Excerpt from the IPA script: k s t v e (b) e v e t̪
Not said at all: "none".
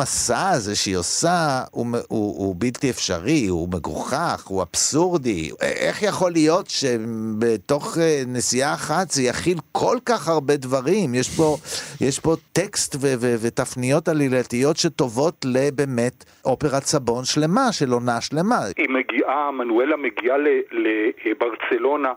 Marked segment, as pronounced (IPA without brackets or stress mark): v